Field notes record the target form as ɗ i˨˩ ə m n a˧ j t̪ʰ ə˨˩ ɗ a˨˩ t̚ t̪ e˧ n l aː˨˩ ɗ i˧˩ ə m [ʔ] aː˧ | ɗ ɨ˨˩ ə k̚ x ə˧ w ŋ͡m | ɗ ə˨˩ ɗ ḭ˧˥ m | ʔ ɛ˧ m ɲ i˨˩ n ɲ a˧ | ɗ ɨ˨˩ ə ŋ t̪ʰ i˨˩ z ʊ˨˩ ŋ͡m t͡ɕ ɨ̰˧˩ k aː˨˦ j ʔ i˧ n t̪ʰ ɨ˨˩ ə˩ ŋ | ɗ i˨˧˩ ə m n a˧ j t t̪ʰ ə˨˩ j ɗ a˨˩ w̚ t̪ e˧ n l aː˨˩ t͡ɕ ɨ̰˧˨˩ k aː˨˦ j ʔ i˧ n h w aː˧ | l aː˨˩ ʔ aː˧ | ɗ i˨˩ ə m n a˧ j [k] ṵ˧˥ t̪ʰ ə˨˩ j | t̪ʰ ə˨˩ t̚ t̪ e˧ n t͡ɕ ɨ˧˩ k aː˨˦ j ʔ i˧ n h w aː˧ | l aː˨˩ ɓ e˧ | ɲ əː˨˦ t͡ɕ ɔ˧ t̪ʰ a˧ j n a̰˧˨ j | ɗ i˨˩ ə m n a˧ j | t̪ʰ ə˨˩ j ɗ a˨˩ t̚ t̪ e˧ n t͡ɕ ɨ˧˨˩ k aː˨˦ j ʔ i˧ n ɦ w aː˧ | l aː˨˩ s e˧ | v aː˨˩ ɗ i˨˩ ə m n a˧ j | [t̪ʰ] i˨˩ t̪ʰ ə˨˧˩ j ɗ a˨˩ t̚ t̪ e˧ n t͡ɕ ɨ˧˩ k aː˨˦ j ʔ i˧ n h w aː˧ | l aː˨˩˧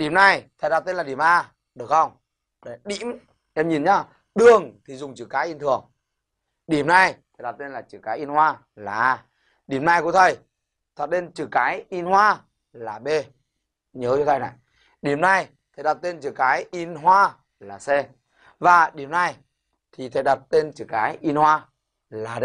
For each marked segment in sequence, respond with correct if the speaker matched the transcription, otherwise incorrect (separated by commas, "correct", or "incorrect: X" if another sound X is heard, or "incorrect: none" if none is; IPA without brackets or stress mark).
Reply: correct, correct, correct